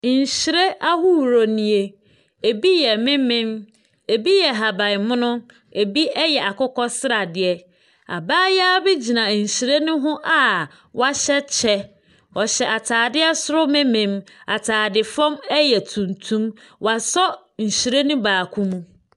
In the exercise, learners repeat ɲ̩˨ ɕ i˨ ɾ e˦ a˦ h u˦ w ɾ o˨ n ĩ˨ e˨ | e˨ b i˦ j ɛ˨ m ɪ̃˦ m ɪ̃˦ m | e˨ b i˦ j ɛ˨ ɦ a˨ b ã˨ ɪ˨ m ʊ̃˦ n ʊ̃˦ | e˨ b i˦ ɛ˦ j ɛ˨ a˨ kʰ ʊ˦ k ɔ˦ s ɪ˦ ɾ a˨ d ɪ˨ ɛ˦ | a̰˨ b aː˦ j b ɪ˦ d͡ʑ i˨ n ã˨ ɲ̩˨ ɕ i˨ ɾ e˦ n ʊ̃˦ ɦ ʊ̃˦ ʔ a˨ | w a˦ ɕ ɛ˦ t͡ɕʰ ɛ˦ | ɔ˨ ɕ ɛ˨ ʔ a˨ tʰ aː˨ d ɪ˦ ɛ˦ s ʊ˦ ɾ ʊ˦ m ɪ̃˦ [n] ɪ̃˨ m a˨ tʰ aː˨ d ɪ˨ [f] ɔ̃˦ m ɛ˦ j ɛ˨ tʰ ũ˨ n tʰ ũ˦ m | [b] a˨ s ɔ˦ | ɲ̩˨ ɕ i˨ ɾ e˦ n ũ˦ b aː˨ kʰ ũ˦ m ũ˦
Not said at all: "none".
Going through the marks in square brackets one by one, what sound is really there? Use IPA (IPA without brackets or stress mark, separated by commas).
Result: m, f, w